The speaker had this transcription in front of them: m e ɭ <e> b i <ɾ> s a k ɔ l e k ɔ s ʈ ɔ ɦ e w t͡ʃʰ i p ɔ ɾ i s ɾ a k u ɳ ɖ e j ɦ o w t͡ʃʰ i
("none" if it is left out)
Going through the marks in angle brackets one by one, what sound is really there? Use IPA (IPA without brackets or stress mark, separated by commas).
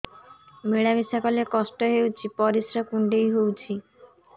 a, none